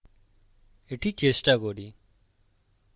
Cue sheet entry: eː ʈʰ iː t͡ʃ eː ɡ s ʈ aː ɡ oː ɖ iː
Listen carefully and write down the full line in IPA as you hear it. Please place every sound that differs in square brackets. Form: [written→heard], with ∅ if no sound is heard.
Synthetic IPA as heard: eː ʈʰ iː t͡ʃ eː [ɡ→∅] s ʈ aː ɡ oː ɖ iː